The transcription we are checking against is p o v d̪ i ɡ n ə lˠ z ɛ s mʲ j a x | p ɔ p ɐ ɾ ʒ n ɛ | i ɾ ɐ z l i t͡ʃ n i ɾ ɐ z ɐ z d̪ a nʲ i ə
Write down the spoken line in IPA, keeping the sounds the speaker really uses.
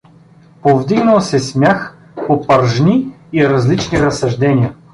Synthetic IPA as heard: p o v d̪ i ɡ n ə lˠ s ɛ s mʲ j a x | p o p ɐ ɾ ʒ n i | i ɾ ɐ z l i t͡ʃ n i ɾ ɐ s ɐ ʒ d̪ ɛ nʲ i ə

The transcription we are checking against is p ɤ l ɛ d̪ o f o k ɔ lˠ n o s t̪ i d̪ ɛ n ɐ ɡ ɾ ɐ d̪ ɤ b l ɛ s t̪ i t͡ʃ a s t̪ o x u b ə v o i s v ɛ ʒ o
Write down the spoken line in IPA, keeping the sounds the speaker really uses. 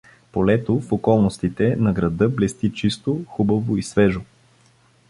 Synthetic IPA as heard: p o l ɛ t̪ o f o k ɔ lˠ n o s t̪ i t̪ ɛ n ɐ ɡ ɾ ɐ d̪ ɤ b l ɛ s t̪ i t͡ʃ i s t̪ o x u b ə v o i s v ɛ ʒ o

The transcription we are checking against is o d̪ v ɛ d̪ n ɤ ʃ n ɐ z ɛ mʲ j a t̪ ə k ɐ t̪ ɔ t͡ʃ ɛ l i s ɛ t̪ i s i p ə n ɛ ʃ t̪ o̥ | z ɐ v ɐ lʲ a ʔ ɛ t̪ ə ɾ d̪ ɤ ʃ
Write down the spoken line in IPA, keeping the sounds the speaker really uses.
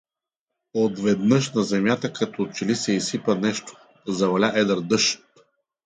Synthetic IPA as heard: o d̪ v ɛ d̪ n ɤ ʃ n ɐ z ɛ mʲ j a t̪ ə k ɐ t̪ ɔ t͡ʃ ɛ l i s ɛ i s i p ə n ɛ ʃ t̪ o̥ | z ɐ v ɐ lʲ a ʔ ɛ d̪ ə ɾ d̪ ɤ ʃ

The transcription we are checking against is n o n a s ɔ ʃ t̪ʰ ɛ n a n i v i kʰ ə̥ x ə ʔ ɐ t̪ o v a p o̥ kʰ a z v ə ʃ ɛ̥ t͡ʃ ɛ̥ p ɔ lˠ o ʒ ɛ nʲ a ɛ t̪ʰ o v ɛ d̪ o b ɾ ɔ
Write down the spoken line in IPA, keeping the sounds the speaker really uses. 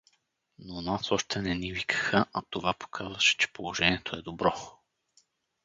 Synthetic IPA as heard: n o n a s ɔ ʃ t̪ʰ ɛ n ɛ n i v i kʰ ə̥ x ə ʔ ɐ t̪ o v a p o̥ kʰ a z v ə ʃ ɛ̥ t͡ʃ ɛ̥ p o lˠ o ʒ ɛ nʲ i ɛ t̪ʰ o ɛ d̪ o b ɾ ɔ

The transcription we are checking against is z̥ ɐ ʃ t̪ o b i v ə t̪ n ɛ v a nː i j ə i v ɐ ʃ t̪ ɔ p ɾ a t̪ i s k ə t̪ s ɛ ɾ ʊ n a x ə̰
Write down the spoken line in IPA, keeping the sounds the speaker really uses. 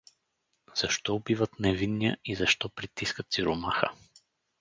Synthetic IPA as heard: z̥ ɐ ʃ t̪ ɔ b i v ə t̪ n ɛ v i nː i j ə i z ɐ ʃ t̪ ɔ p ɾ i t̪ i s k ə t̪ s i ɾ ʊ m a x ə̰

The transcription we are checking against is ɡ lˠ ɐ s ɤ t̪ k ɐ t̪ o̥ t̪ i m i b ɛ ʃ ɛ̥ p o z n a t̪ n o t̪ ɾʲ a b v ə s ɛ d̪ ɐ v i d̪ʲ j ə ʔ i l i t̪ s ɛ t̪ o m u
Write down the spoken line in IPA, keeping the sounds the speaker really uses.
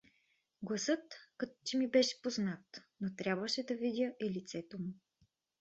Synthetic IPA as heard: ɡ lˠ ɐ s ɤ t̪ k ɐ t̪ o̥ t̪ i m i b ɛ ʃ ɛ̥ p o z n a t̪ n o t̪ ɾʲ a b v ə ʃ ɛ d̪ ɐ v i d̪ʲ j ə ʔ i l i t̪ s ɛ t̪ o m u

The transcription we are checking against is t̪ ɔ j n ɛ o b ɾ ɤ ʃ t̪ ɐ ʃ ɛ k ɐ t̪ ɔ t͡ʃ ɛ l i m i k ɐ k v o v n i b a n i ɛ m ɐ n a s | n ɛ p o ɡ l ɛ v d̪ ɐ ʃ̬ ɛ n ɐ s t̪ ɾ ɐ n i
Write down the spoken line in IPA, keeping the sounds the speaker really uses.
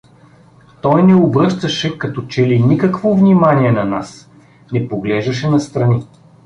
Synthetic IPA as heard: t̪ ɔ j n ɛ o b ɾ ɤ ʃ t̪ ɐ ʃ ɛ k ɐ t̪ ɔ t͡ʃ ɛ l i n i k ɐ k v o v n i m a n i ɛ n ɐ n a s | n ɛ p o ɡ l ɛ ʒ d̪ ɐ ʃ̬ ɛ n ɐ s t̪ ɾ ɐ n i

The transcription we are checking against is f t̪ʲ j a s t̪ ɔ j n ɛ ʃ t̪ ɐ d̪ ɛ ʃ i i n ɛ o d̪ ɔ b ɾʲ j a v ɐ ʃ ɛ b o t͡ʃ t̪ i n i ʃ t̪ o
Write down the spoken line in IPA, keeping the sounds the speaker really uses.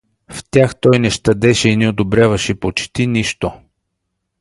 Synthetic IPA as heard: f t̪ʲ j a x t̪ ɔ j n ɛ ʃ t̪ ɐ d̪ ɛ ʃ ɛ i n ɛ o d̪ o b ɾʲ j a v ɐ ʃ ɛ p o t͡ʃ t̪ i n i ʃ t̪ o

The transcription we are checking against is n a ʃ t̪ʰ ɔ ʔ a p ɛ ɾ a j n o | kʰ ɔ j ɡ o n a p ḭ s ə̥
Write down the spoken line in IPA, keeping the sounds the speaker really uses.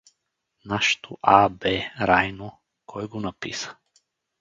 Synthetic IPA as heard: n a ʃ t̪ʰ o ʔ a b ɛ ɾ a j n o | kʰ ɔ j ɡ o n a p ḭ s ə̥

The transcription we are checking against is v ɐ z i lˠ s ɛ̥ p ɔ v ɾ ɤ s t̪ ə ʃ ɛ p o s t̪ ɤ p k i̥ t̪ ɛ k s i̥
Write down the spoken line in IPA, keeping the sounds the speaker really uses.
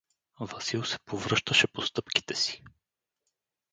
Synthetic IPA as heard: v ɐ s i lˠ s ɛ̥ p o v ɾ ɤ ʃ t̪ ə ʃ ɛ p o s t̪ ɤ p k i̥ t̪ ɛ s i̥

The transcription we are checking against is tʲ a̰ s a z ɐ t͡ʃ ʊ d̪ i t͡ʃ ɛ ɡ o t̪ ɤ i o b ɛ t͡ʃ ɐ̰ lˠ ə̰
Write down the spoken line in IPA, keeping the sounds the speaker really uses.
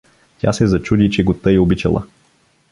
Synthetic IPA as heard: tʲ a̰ s ɛ z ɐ t͡ʃ u d̪ i t͡ʃ ɛ ɡ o t̪ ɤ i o b i t͡ʃ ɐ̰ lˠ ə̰

